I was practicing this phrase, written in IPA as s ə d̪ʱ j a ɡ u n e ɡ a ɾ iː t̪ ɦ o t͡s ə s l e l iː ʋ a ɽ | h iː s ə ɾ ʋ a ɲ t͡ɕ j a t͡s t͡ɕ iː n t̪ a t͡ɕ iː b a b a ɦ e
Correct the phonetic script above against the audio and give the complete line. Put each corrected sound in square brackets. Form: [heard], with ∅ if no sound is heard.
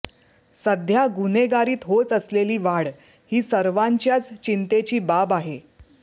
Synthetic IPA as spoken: s ə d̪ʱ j a ɡ u n e ɡ a ɾ iː t̪ ɦ o t͡s ə s l e l iː ʋ a ɽ | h iː s ə ɾ ʋ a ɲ t͡ɕ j a t͡s t͡ɕ [i] n t̪ [e] t͡ɕ iː b a b a ɦ e

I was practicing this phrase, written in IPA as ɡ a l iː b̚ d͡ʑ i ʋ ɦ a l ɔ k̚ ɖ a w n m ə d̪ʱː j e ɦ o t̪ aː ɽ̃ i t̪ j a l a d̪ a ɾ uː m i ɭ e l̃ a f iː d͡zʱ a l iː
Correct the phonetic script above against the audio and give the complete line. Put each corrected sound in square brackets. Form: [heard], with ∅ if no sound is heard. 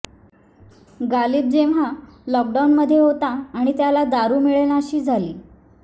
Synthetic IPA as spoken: ɡ a l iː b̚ d͡ʑ [e] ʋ ɦ a l ɔ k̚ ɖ a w n m ə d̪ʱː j e ɦ o t̪ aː ɽ̃ i t̪ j a l a d̪ a ɾ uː m i ɭ e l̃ a [ɕ] iː d͡zʱ a l iː

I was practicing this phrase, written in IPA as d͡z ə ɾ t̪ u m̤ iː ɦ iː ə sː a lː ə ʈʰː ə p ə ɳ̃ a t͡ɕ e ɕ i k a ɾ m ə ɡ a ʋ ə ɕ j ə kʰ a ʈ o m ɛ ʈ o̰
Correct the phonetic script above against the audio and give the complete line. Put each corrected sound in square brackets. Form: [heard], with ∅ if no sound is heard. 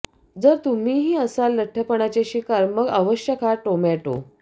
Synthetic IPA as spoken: d͡z ə ɾ t̪ u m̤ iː ɦ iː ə [s] a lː ə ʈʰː ə p ə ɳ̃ a t͡ɕ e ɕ i k a ɾ m ə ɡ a ʋ ə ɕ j ə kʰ a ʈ o m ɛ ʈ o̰

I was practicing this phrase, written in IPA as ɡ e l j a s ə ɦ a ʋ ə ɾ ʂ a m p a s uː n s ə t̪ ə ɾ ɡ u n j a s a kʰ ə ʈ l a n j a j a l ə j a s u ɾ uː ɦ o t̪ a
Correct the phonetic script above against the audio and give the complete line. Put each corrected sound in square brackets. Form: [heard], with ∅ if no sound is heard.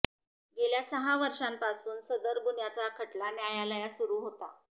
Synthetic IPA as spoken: ɡ e l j a s ə ɦ a ʋ ə ɾ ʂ a m p a s uː n s ə [d̪] ə ɾ ɡ u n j a [t͡s] a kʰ ə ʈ l a n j a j a l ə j a s u ɾ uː ɦ o t̪ a

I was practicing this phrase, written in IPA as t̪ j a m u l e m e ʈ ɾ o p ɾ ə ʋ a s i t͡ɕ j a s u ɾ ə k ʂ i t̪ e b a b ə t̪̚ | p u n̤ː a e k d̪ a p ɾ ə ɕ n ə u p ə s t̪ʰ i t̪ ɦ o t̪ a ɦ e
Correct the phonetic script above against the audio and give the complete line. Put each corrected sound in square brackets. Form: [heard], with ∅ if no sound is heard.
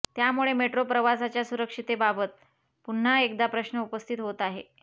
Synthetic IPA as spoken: t̪ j a m u [ɭ] e m e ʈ ɾ o p ɾ ə ʋ a s [a] t͡ɕ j a s u ɾ ə k ʂ i t̪ e b a b ə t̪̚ | p u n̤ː a e k d̪ a p ɾ ə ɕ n ə u p ə s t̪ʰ i t̪ ɦ o t̪ a ɦ e

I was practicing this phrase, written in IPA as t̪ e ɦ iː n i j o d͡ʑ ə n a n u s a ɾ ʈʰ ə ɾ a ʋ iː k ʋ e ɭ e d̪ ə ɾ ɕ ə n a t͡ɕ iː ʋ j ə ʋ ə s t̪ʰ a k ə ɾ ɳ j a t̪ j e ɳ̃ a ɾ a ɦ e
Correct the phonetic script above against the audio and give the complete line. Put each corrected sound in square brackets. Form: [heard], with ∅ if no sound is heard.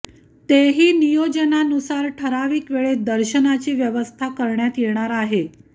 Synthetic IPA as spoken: t̪ e ɦ iː n i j o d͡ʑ ə n a n u s a ɾ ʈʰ ə ɾ a ʋ iː k ʋ e ɭ e d̪ ə ɾ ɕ ə n a t͡ɕ iː ʋ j ə ʋ ə s t̪ʰ a k ə ɾ ɳ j a t̪ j e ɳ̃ a ɾ a ɦ e

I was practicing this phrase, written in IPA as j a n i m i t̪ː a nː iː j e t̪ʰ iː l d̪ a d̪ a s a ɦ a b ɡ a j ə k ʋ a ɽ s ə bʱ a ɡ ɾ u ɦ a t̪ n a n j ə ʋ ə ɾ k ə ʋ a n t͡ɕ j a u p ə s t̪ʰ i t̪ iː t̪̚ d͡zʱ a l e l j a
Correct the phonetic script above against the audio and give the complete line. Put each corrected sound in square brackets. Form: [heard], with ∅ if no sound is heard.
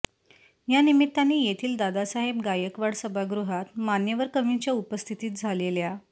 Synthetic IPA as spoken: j a n i m i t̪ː a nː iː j e t̪ʰ iː l d̪ a d̪ a s a ɦ [e] b ɡ a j ə k ʋ a ɽ s ə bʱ a ɡ ɾ u ɦ a t̪ [m] a n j ə ʋ ə ɾ k ə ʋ [i] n t͡ɕ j a u p ə s t̪ʰ i t̪ iː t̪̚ d͡zʱ a l e l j a

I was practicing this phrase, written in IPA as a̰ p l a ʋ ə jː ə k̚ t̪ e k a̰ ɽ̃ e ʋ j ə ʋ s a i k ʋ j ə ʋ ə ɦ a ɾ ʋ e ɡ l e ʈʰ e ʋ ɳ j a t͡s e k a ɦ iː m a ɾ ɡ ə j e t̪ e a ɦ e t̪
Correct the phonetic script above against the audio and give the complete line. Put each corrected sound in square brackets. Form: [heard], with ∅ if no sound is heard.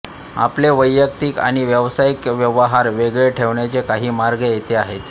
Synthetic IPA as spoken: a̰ p l [e] ʋ ə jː ə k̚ t̪ [i] k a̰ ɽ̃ [i] ʋ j ə ʋ s a i k ʋ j ə ʋ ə ɦ a ɾ ʋ e ɡ [ɭ] e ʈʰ e ʋ ɳ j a t͡s e k a ɦ iː m a ɾ ɡ ə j e t̪ e a ɦ e t̪

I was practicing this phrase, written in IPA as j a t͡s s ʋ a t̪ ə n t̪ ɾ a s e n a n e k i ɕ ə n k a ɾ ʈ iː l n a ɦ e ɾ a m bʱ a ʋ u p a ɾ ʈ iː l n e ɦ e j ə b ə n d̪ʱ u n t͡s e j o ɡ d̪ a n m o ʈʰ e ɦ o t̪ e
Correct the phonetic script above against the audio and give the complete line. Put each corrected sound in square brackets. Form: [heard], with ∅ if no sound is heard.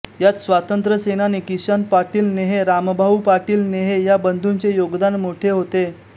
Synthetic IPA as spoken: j a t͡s s ʋ a t̪ ə n t̪ ɾ [ə] s e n a n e k i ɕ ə n [p] a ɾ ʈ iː l n [e] ɦ e ɾ a m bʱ a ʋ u p a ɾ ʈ iː l n e ɦ e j [a] b ə n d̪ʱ u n t͡s e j o ɡ d̪ a n m o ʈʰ e ɦ o t̪ e

